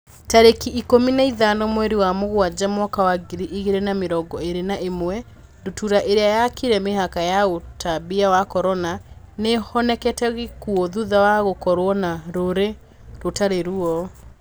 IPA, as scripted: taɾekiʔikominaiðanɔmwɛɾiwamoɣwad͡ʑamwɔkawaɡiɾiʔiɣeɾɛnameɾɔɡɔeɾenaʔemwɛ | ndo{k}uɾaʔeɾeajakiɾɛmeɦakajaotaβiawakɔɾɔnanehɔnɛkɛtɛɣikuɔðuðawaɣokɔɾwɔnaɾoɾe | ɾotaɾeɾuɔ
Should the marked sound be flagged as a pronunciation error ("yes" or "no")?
yes